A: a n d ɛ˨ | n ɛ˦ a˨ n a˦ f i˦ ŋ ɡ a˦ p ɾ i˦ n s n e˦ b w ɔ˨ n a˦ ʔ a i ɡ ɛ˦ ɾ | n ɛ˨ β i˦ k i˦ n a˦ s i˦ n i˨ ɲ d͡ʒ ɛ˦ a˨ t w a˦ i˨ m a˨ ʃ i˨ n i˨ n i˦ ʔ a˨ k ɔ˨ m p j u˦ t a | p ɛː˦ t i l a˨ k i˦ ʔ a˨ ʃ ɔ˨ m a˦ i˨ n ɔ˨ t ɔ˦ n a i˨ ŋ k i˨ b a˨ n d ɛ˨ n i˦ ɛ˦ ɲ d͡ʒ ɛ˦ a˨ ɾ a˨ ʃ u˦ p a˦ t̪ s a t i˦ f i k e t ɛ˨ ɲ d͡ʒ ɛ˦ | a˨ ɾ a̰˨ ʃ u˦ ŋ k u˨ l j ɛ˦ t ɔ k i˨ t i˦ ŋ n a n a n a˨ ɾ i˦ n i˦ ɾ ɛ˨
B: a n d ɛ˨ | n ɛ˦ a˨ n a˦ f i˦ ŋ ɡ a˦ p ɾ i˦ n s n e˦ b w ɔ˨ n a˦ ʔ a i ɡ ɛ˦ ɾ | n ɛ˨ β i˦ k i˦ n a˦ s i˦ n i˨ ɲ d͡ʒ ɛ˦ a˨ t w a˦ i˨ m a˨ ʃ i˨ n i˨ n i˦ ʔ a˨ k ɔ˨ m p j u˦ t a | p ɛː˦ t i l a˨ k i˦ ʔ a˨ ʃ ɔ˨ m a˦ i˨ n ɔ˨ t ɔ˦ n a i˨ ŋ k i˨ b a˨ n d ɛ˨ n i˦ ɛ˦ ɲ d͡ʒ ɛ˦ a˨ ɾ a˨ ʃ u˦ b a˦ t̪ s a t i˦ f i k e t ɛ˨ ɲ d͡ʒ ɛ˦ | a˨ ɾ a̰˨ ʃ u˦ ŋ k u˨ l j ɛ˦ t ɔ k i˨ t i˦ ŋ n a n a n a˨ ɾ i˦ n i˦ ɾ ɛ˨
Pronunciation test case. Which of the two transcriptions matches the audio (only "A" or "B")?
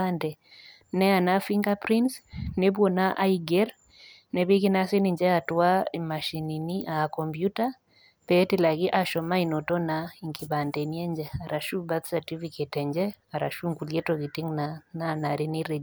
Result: B